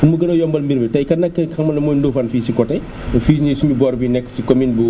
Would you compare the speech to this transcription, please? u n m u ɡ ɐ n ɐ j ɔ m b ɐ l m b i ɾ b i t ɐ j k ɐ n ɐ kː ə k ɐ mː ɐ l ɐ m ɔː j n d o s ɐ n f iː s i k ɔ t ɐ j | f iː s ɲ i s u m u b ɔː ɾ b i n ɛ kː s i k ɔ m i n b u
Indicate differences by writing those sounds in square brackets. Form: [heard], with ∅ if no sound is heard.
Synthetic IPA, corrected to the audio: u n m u ɡ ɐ n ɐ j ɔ m b ɐ l m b i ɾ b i t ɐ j k ɐ n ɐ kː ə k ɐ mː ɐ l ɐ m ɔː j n d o [f] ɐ n f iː s i k ɔ t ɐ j | f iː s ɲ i s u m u b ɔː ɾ b i n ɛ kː s i k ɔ m i n b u